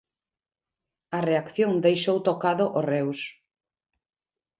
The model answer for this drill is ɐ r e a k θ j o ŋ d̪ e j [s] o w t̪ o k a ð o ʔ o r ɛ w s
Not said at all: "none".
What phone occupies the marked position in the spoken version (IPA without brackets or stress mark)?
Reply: ʃ